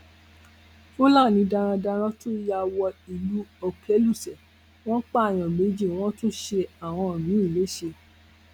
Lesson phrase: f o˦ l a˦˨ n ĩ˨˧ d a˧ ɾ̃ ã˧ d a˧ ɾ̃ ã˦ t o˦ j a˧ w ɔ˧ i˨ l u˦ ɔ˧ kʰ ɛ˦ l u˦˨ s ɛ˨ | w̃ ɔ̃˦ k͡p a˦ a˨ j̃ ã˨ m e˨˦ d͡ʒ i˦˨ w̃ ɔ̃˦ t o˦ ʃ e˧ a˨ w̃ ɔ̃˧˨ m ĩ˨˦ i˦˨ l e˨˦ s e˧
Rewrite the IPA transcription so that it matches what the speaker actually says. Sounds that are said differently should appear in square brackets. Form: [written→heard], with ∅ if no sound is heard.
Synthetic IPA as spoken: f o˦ l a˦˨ n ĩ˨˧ d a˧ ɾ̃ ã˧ d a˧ ɾ̃ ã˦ t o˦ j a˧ w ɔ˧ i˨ l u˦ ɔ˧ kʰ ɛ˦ l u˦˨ s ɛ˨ | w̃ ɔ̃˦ k͡p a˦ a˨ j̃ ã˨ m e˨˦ d͡ʒ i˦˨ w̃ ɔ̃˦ t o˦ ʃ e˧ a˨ w̃ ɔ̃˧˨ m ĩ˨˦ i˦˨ l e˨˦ [s→ʃ] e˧